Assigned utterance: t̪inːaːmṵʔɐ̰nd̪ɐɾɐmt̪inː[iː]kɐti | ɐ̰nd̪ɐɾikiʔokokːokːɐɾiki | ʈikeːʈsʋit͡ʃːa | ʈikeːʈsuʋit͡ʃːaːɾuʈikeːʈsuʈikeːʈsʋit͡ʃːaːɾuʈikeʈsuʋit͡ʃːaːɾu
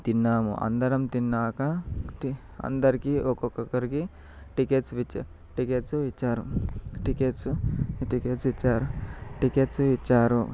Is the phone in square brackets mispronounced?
yes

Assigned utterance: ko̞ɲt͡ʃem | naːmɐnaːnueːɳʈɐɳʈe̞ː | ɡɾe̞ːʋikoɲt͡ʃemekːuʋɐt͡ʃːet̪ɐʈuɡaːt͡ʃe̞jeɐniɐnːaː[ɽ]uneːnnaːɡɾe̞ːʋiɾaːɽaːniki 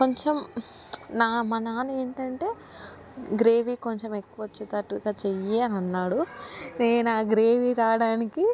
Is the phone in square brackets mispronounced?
no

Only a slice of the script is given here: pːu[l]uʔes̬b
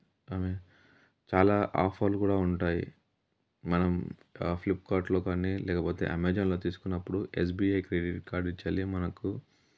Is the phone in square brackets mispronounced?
yes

